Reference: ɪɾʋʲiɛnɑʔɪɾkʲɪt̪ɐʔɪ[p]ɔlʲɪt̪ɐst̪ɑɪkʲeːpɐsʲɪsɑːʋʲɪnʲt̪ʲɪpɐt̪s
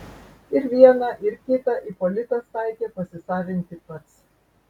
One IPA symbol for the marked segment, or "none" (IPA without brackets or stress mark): p